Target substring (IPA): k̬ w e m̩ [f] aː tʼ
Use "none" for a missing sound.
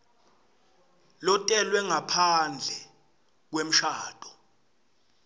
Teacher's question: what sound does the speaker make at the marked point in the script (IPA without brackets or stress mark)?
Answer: ʃ